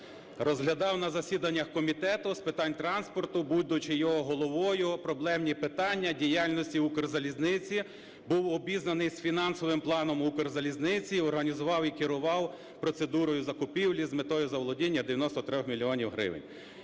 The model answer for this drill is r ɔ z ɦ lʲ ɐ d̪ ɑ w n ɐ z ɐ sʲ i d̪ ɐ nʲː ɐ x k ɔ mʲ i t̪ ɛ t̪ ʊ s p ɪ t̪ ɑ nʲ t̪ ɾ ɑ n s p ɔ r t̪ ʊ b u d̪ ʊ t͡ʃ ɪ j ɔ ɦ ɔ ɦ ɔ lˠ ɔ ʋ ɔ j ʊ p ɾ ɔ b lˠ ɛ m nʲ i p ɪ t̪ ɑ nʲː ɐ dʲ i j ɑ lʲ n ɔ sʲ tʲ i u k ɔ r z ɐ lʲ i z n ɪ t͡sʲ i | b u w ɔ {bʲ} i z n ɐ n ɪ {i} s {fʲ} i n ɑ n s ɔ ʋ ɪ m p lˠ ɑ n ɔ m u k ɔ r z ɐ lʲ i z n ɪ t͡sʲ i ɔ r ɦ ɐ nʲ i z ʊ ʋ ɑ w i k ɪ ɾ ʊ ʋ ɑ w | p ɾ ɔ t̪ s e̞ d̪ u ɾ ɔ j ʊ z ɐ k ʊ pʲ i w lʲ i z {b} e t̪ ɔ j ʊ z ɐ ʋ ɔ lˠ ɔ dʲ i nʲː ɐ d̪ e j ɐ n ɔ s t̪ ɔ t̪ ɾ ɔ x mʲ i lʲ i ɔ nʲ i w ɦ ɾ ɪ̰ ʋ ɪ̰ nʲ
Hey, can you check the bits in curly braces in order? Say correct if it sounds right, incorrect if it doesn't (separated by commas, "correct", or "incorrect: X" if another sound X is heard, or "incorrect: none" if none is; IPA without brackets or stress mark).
correct, incorrect: j, correct, incorrect: m